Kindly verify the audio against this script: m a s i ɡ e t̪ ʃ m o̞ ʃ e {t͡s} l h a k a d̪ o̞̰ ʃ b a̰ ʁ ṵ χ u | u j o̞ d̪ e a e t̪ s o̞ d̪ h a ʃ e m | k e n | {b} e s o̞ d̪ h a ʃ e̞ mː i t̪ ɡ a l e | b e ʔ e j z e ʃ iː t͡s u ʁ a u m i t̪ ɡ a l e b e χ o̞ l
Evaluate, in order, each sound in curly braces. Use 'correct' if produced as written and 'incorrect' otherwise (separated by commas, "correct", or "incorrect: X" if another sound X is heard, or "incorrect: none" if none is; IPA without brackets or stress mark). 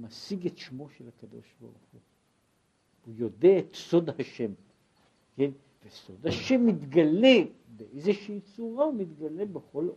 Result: incorrect: none, incorrect: v